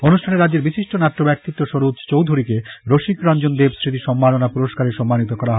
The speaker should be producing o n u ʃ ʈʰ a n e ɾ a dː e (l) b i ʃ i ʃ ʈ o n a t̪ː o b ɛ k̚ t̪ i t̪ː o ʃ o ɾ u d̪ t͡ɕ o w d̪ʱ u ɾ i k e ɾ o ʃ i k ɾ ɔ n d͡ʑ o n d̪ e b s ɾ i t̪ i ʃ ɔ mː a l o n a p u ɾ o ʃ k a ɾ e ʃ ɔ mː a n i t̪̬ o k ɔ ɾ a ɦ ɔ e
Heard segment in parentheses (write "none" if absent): ɾ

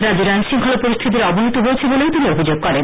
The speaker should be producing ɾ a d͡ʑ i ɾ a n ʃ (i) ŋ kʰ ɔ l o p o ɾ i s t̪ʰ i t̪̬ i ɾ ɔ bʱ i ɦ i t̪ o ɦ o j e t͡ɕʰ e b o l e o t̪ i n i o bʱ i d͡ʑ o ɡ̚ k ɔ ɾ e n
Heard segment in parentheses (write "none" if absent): i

